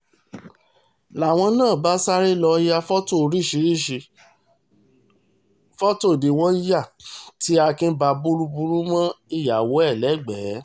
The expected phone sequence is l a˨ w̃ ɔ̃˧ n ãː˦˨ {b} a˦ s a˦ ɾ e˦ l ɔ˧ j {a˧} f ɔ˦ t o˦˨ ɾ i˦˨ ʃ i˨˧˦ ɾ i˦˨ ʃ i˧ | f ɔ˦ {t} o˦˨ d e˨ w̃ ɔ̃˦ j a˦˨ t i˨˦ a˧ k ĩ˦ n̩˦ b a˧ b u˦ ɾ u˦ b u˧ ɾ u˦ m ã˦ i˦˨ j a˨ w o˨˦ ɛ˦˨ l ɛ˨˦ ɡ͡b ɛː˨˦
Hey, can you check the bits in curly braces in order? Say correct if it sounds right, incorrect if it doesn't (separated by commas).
correct, correct, correct